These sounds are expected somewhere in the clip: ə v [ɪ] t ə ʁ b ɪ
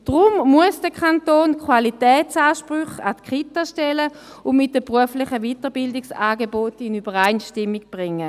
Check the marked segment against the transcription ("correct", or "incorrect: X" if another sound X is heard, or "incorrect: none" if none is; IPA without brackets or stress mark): incorrect: i